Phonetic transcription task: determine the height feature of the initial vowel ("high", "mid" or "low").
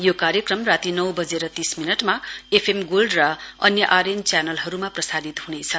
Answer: mid